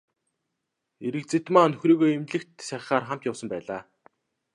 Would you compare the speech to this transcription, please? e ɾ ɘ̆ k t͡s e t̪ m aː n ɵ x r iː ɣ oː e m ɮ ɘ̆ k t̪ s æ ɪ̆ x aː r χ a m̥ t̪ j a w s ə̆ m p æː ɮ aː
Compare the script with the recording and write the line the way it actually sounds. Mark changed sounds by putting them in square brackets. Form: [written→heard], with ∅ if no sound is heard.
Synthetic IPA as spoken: e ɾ ɘ̆ k t͡s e t̪ m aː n ɵ x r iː ɣ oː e m ɮ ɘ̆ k t̪ s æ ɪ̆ [x→χ] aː r χ a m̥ t̪ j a w s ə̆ m p æː ɮ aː

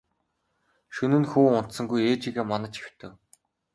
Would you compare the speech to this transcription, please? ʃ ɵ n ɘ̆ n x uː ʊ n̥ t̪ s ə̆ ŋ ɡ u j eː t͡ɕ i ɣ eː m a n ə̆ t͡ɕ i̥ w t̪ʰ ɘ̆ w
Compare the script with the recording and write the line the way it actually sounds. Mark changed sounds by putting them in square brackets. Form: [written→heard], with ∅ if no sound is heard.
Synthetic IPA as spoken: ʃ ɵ n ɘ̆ n x uː ʊ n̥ t̪ s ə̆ ŋ ɡ u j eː t͡ɕ i ɣ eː m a n ə̆ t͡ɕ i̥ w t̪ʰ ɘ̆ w

